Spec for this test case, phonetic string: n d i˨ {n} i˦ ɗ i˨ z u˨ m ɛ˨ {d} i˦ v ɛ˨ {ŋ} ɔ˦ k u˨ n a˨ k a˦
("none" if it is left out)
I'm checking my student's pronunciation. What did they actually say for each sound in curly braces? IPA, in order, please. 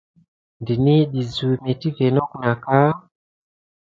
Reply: n, t, n

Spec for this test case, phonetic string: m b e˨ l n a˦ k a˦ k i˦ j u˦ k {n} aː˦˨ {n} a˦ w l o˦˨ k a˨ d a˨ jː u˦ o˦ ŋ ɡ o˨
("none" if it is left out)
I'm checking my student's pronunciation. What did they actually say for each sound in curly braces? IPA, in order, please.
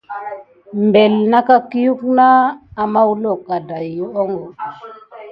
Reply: n, m

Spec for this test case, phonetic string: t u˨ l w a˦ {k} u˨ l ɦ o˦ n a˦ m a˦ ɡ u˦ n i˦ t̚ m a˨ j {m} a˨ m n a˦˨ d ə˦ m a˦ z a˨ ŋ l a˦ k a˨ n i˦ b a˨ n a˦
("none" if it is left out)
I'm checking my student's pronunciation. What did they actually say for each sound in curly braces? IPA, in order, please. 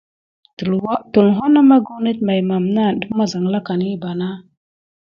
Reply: t, m

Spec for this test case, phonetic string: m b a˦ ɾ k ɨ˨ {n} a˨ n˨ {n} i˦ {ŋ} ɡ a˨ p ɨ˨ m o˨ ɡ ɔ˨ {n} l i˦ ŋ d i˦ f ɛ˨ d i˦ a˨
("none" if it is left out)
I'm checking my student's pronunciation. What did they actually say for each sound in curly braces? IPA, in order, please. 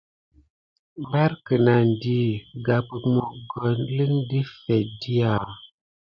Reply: n, d, none, n

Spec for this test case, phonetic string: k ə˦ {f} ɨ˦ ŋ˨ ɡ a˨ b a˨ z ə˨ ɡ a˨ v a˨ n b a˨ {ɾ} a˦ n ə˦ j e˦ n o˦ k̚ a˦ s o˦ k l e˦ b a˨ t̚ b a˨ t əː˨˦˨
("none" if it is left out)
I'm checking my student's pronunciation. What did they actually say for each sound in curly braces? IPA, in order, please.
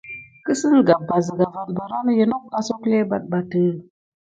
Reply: s, ɾ

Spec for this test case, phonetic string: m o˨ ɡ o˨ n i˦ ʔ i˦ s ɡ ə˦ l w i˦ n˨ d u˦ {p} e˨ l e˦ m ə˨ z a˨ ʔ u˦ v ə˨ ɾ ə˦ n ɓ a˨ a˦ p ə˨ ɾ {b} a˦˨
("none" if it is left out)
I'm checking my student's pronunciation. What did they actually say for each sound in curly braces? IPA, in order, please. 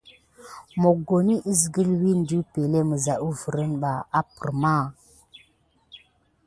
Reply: p, m

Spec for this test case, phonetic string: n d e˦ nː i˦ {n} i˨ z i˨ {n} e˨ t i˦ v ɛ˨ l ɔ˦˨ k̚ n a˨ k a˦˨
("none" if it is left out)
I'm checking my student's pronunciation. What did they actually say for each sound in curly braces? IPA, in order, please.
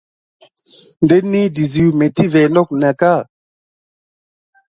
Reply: d, m

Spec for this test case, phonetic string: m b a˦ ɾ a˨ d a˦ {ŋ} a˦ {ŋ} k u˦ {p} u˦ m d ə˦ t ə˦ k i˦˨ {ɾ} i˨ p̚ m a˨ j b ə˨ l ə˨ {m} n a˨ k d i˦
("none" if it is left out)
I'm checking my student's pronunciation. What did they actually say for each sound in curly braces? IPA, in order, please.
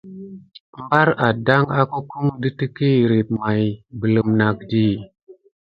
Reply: ŋ, none, k, ɾ, m

